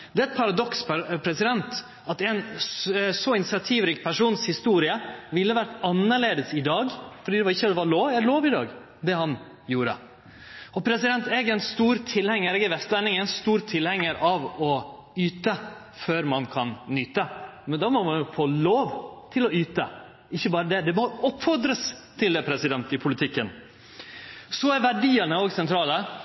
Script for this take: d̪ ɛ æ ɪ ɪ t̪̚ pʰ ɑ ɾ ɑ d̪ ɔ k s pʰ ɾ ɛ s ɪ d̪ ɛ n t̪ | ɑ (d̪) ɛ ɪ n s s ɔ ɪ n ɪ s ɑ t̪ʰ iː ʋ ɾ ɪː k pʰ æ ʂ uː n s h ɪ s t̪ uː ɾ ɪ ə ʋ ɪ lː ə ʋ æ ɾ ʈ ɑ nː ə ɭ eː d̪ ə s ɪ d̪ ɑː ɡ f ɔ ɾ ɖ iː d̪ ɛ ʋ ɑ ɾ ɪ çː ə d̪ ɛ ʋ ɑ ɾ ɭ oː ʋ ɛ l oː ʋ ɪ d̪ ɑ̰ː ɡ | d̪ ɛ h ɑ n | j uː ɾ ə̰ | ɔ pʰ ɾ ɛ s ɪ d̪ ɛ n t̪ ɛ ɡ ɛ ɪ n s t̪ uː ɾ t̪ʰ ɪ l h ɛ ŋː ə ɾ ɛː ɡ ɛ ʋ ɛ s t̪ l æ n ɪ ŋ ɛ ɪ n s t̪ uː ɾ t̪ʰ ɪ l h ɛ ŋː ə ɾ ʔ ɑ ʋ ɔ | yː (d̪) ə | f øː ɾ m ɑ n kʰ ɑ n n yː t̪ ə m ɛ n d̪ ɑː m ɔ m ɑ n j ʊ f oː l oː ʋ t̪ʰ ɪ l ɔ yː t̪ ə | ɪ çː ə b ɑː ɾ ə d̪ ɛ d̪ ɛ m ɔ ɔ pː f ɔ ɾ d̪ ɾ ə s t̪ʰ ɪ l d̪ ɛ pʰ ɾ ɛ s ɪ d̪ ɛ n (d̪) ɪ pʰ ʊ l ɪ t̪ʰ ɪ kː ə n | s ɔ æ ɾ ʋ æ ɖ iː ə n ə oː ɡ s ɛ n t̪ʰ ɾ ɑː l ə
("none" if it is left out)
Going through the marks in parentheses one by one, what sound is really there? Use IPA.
t̪, t̪, t̪

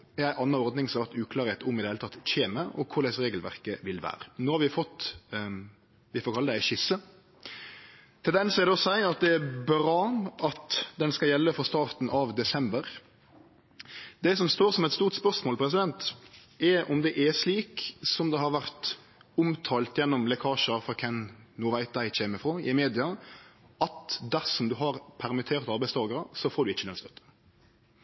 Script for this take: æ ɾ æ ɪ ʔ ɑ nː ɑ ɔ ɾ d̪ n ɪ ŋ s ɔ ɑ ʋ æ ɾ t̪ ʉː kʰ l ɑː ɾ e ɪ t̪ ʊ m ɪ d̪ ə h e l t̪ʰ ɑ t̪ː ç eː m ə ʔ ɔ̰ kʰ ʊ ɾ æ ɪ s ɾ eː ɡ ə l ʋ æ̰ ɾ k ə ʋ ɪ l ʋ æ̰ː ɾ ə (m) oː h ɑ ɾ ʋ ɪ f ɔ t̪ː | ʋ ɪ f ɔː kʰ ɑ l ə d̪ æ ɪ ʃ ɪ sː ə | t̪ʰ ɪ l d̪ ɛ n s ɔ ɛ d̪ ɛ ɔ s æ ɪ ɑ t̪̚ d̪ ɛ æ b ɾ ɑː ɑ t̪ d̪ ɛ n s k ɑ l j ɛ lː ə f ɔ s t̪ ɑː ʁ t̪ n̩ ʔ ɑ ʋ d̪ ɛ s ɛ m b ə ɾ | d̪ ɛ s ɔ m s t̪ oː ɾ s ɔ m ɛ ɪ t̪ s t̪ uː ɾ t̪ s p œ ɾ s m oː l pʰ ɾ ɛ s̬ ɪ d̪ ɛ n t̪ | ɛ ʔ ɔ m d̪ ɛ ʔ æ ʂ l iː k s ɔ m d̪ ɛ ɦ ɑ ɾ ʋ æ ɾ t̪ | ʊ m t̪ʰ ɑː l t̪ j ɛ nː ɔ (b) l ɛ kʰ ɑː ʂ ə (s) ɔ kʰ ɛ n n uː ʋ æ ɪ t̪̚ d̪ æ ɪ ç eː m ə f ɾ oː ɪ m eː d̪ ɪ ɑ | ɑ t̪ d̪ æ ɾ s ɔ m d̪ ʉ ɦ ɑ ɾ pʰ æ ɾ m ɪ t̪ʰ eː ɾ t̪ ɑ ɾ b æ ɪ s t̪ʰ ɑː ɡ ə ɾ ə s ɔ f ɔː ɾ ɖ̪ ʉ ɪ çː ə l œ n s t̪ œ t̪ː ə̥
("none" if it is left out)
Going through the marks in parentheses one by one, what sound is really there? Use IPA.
n, m, f

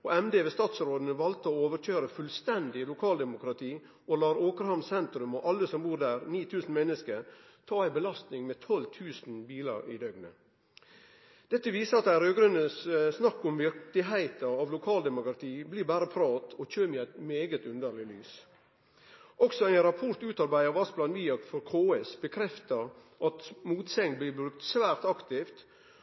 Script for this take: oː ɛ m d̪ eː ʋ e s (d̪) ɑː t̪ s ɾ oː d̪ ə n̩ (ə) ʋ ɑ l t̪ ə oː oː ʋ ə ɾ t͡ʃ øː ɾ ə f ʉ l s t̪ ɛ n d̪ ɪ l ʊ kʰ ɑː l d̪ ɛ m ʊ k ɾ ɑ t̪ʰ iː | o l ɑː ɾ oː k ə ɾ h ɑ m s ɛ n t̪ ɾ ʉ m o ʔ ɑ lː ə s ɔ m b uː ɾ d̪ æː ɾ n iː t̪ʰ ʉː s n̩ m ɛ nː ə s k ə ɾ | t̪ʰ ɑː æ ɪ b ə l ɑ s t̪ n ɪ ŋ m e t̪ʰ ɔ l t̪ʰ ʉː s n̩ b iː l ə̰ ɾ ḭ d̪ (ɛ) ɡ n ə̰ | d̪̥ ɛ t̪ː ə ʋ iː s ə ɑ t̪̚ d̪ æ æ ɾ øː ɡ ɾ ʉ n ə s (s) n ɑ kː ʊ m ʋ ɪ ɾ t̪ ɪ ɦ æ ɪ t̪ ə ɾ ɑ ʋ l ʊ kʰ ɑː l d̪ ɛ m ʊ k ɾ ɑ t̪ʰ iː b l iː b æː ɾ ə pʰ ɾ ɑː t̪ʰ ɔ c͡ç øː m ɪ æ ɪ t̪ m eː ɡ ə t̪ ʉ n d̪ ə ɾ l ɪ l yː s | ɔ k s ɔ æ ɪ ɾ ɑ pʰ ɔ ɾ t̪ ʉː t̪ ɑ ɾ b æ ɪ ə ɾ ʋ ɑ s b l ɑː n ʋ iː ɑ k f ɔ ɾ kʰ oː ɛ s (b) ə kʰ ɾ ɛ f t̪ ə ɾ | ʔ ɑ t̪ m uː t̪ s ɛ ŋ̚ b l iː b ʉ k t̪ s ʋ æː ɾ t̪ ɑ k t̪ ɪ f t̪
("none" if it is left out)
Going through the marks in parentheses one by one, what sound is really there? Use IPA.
t̪, ə, œ, s, b

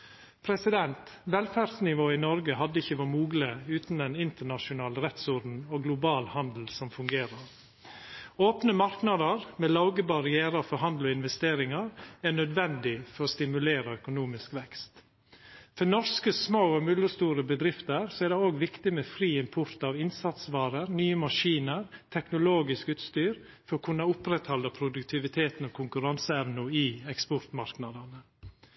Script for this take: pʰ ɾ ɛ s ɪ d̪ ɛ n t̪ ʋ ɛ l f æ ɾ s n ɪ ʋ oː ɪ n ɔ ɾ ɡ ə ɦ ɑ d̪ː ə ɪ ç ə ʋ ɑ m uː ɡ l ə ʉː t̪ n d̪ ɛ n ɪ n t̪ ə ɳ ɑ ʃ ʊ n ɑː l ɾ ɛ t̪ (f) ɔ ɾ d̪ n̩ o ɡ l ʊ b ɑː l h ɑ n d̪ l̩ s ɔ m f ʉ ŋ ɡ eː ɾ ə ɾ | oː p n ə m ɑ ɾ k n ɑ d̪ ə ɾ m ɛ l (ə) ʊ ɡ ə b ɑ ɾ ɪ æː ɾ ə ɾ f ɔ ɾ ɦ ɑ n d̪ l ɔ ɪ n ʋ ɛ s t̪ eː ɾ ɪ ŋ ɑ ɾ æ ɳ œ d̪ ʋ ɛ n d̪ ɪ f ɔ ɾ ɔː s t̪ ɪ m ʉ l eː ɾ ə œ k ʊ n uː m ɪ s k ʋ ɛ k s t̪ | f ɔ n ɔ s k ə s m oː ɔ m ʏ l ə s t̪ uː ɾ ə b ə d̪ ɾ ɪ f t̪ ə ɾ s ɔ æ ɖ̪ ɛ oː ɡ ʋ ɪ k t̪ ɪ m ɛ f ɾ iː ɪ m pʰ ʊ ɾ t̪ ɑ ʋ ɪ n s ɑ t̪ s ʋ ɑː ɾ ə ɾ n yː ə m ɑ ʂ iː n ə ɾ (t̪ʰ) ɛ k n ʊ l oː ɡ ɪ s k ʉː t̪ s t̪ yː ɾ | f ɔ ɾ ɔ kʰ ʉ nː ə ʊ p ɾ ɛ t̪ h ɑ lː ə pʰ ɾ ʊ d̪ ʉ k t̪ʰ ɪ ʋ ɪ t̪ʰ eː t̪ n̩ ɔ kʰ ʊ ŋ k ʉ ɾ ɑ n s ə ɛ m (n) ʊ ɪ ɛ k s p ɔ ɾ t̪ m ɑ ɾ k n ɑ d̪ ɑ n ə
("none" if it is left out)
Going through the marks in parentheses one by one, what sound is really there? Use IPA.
s, ɑ, t̪ʰ, n

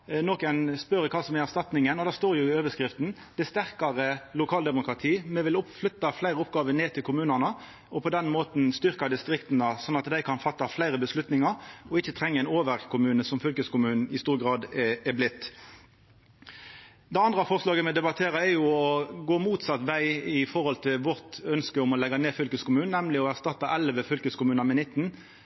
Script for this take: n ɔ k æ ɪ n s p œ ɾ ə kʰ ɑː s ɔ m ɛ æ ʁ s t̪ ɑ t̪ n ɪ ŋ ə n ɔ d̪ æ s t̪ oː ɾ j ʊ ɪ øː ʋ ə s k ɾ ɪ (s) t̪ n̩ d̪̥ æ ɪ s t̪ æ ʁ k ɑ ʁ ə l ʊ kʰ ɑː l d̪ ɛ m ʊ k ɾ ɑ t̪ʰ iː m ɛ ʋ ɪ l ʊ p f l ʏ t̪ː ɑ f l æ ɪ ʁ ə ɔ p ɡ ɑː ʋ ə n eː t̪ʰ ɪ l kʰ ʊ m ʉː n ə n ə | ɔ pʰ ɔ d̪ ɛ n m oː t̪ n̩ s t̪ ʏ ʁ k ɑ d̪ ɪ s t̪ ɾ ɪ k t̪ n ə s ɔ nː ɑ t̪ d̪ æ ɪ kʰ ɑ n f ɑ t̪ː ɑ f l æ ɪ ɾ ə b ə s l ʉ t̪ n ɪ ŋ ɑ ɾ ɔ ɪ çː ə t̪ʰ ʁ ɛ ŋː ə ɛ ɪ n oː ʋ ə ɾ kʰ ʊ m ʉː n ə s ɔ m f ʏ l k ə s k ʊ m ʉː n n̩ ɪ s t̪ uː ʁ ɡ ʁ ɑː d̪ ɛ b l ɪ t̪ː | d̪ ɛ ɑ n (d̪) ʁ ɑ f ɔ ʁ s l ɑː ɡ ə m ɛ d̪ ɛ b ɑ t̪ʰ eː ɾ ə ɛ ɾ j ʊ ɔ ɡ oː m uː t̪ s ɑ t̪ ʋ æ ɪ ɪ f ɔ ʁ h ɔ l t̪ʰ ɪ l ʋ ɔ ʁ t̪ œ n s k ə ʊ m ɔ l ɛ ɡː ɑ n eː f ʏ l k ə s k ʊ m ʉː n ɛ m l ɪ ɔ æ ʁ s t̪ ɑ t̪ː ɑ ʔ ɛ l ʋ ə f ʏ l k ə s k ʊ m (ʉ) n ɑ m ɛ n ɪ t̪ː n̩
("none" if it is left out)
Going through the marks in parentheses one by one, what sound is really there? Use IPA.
f, d̪, ʉː

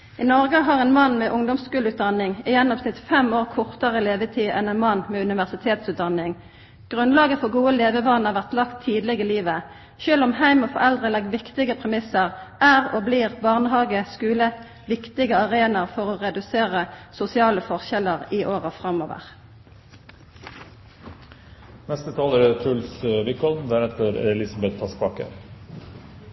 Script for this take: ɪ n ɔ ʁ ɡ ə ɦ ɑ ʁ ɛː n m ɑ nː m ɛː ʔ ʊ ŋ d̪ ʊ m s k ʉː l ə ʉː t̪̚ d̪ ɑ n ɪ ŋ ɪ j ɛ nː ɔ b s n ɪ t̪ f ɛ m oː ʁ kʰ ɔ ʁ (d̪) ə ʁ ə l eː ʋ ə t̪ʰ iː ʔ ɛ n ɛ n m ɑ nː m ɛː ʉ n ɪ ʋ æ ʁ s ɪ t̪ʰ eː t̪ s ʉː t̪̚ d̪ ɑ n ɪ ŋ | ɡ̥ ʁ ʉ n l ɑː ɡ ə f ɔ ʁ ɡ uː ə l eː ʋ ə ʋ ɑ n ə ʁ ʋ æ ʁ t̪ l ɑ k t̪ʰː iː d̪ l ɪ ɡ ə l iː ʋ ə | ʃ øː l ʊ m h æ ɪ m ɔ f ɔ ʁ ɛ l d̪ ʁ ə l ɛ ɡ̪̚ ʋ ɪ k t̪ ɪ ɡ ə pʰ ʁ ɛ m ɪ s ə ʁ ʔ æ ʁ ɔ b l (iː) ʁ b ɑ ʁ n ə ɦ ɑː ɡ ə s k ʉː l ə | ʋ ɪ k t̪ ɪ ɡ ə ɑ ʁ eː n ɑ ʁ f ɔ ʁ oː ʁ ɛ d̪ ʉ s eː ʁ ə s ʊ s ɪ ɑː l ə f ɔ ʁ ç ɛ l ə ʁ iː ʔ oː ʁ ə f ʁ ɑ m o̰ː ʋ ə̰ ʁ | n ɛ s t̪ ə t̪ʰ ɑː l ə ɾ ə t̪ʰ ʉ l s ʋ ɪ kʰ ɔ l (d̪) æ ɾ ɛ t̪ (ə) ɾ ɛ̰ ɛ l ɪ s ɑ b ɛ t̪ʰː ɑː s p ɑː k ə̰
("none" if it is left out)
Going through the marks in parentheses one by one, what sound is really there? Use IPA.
t̪, iː, d̪, ə

